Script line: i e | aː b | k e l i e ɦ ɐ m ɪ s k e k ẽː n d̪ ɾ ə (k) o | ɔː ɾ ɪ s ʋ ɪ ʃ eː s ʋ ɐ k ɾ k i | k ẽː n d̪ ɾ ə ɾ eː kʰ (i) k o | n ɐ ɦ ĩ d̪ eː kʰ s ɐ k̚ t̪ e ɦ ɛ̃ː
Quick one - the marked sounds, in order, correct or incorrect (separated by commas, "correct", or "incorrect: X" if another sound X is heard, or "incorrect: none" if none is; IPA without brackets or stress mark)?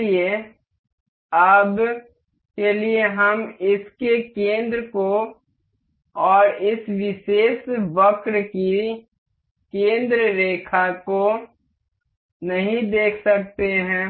correct, incorrect: a